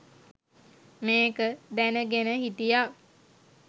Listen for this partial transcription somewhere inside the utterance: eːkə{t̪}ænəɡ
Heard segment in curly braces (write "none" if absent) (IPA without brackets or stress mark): d̪